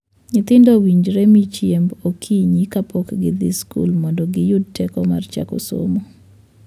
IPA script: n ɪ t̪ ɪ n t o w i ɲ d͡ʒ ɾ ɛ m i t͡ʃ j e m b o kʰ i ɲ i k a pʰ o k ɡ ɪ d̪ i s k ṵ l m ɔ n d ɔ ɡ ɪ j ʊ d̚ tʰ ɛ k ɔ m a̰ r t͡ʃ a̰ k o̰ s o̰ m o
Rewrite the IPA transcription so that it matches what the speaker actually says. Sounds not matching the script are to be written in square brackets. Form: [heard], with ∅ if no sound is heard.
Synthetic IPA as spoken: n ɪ t̪ ɪ n [d] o w i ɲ d͡ʒ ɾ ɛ m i t͡ʃ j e m b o kʰ i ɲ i k a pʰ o k ɡ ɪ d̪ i s k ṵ l m ɔ n d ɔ ɡ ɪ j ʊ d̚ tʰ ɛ k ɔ m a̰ r t͡ʃ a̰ k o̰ s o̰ m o

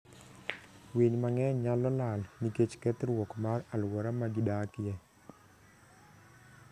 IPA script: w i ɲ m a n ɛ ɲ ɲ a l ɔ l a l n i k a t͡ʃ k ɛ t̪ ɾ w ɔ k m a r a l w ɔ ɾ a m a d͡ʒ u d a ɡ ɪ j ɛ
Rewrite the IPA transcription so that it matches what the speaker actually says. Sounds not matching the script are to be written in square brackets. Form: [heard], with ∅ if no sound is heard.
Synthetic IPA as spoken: w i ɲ m a [ŋ] ɛ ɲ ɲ a l ɔ l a l n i k [e] t͡ʃ k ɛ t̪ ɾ w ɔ k m a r a l w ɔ ɾ a m a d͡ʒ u d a [k] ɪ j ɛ

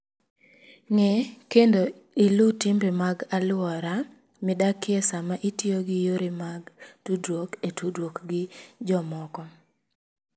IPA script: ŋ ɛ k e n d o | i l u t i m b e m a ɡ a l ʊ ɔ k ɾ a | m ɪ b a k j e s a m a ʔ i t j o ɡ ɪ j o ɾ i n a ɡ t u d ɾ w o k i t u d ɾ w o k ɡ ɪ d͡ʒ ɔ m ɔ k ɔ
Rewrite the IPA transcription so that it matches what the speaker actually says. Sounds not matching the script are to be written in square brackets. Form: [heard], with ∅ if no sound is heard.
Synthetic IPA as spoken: ŋ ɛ k e n d o | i l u t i m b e m a ɡ a l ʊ ɔ [∅] ɾ a | m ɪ [d] a k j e s a m a ʔ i t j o ɡ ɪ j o ɾ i [m] a ɡ t u d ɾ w o k [e] t u d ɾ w o k ɡ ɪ d͡ʒ ɔ m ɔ k ɔ

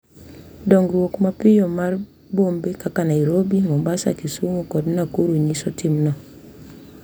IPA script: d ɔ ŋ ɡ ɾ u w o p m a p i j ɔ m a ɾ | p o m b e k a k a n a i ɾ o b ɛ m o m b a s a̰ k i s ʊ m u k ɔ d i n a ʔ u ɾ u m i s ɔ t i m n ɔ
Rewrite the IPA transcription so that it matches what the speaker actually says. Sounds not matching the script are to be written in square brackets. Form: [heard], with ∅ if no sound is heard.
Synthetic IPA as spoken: d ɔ ŋ ɡ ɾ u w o [k] m a p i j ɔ m a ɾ | [b] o m b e k a k a n a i ɾ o b [i] m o m b a s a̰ k i s [u] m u k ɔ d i n a [k] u ɾ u [ɲ] i s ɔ t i m n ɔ

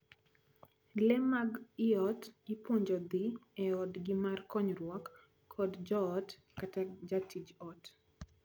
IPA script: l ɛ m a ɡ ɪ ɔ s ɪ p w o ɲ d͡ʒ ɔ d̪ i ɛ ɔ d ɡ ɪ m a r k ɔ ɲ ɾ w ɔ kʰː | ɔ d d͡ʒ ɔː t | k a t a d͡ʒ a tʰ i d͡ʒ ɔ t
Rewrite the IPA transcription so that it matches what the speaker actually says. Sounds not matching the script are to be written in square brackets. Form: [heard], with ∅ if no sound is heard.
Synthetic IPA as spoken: l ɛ m a ɡ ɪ ɔ [t] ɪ p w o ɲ d͡ʒ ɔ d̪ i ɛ ɔ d ɡ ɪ m a r k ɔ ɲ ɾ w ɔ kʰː | ɔ d d͡ʒ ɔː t | k a t a d͡ʒ a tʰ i d͡ʒ ɔ t

